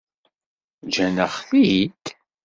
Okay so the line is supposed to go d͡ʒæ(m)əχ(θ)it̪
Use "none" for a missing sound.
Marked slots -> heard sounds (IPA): n, θ

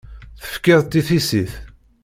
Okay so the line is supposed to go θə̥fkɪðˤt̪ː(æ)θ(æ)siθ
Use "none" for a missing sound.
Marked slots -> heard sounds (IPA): i, i

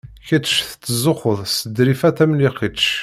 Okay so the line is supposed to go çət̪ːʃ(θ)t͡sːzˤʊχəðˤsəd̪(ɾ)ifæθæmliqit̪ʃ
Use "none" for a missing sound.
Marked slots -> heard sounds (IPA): θ, ɾ

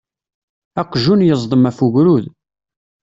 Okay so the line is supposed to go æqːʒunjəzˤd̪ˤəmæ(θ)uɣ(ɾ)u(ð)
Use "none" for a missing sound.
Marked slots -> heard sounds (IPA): f, ɾ, ð

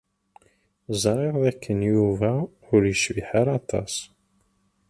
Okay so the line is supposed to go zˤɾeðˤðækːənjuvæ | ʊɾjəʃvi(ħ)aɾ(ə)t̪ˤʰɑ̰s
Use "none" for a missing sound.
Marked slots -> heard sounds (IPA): ħ, ɑ

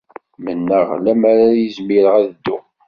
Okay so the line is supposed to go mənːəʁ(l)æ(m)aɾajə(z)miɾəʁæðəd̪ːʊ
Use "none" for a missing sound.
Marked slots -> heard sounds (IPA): l, m, z

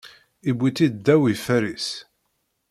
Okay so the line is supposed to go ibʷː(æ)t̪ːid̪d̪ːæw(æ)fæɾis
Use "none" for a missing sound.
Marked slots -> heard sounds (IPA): i, i

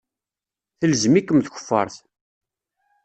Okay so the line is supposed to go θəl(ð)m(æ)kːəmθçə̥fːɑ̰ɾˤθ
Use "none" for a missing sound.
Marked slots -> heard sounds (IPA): z, i

